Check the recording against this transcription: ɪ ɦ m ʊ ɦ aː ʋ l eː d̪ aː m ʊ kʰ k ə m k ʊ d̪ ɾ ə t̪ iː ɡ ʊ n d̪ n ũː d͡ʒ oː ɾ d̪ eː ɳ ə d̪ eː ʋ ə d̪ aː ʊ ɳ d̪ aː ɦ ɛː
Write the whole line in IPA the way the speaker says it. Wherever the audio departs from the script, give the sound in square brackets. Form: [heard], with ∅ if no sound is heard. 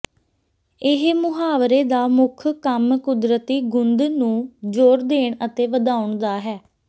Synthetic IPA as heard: ɪ ɦ m ʊ ɦ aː ʋ [ɾ] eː d̪ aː m ʊ kʰ k ə m k ʊ d̪ ɾ ə t̪ iː ɡ ʊ n d̪ n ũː d͡ʒ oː ɾ d̪ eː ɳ ə [t̪] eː ʋ ə d̪ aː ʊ ɳ d̪ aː ɦ ɛː

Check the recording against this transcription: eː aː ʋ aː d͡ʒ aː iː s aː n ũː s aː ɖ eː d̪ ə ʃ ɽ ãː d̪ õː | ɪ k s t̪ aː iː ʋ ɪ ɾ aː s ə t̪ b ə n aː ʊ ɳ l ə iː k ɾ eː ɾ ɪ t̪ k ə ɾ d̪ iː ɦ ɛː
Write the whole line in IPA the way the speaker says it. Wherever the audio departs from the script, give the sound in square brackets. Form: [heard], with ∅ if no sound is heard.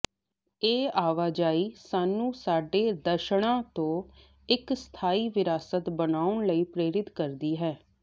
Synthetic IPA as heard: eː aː ʋ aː d͡ʒ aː iː s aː n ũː s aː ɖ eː d̪ ə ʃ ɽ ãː [t̪] õː | ɪ k s [t̪ʰ] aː iː ʋ ɪ ɾ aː s ə t̪ b ə n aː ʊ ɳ l ə iː [p] ɾ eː ɾ ɪ t̪ k ə ɾ d̪ iː ɦ ɛː

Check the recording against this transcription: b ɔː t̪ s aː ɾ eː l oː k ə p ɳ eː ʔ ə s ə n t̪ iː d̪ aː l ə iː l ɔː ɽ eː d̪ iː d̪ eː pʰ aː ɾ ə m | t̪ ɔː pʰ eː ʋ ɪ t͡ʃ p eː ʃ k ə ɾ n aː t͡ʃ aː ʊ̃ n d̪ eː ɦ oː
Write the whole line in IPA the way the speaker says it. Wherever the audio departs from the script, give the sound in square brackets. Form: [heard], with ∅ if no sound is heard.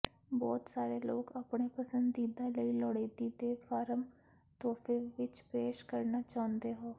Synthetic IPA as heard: b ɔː t̪ s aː ɾ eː l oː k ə p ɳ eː [p] ə s ə n [d̪] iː d̪ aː l ə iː l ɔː ɽ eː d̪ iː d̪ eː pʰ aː ɾ ə m | t̪ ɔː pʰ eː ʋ ɪ t͡ʃ p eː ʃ k ə ɾ n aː t͡ʃ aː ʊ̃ n d̪ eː ɦ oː

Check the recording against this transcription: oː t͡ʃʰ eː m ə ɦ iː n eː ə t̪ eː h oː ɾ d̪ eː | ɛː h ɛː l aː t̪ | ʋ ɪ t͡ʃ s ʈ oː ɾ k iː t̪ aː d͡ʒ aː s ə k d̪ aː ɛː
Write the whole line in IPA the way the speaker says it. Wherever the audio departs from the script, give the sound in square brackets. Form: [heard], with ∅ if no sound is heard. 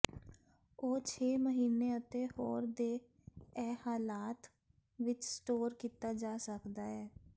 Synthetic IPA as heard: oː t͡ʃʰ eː m ə ɦ iː n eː ə t̪ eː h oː ɾ d̪ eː | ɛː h [aː] l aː t̪ | ʋ ɪ t͡ʃ s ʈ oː ɾ k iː t̪ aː d͡ʒ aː s ə k d̪ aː ɛː

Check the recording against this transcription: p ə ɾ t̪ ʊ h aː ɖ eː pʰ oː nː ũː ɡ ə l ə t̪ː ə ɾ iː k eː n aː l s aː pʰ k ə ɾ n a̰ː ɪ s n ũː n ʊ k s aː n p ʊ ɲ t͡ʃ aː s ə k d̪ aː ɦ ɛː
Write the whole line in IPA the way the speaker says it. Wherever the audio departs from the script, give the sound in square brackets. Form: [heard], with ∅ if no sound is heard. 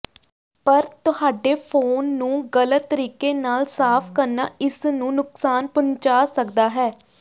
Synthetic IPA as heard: p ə ɾ t̪ ʊ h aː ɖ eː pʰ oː nː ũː ɡ ə l ə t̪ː ə ɾ iː k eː n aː l s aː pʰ k ə ɾ n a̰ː ɪ s n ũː n ʊ k s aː n p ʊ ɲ t͡ʃ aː s ə k d̪ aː ɦ ɛː

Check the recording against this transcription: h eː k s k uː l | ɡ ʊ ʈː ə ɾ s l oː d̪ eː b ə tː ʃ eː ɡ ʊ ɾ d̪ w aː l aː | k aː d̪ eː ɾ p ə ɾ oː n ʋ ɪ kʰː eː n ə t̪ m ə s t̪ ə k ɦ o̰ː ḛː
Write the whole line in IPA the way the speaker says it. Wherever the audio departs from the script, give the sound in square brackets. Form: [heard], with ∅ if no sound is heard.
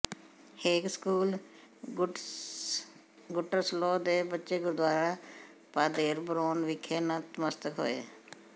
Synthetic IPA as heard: h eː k s k uː l | ɡ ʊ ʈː ə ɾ s l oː d̪ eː b ə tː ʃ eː ɡ ʊ ɾ d̪ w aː [ɾ] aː | [p] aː d̪ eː ɾ [b] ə ɾ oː n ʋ ɪ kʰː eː n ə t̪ m ə s t̪ ə k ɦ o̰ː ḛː

